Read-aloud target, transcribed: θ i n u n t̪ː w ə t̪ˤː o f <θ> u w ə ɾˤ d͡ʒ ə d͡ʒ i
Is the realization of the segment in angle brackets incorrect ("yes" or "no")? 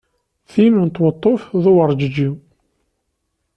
yes